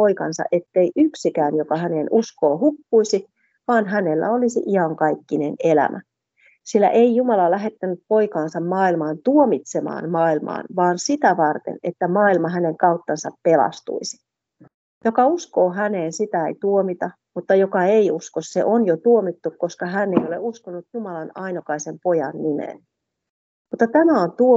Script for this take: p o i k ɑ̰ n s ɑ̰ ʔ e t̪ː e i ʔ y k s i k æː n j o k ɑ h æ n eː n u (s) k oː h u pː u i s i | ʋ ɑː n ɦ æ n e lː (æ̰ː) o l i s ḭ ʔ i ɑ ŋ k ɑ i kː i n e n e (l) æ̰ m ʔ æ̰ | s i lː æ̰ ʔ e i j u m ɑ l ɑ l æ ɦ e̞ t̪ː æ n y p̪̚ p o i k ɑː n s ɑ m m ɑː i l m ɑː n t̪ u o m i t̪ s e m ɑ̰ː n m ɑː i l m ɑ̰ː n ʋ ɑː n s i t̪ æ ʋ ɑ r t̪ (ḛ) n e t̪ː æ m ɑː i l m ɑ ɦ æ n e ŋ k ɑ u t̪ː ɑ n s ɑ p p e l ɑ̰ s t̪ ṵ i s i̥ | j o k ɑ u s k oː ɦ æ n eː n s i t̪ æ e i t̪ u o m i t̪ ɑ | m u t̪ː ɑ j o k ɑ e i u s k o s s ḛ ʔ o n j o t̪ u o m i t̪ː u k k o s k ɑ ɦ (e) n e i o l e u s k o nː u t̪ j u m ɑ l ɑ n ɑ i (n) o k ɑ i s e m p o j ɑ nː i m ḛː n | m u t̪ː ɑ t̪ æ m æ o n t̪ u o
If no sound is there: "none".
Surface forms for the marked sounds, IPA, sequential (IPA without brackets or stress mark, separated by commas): s, æ̰, l, ḛ, æ, n